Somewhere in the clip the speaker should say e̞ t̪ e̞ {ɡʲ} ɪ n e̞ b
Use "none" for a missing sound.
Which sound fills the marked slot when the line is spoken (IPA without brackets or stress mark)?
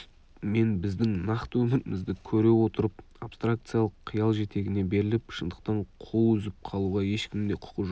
ɡʲ